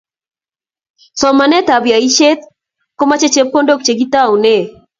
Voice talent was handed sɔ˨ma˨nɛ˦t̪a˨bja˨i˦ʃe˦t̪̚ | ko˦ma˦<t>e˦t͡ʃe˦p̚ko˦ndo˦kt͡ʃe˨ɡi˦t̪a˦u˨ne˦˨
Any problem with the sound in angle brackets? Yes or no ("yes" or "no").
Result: yes